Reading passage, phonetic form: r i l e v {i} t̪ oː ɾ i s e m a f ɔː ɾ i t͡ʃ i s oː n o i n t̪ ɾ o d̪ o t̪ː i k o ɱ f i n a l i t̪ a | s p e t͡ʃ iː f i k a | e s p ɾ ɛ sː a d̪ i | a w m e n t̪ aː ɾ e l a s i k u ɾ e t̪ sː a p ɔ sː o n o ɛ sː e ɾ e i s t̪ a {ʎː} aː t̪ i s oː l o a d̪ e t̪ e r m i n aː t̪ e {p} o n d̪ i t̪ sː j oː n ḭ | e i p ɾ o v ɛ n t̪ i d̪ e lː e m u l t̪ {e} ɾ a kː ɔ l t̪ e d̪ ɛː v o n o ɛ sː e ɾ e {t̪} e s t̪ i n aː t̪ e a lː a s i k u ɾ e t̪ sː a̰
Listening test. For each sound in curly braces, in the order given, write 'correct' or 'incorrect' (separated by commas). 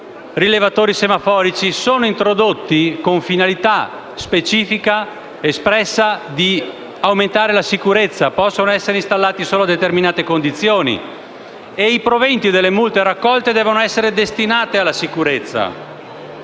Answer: incorrect, incorrect, incorrect, correct, incorrect